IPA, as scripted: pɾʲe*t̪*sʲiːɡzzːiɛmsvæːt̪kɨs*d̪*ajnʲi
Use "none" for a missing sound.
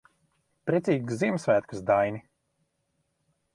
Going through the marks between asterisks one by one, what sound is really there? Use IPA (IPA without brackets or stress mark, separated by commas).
t̪, d̪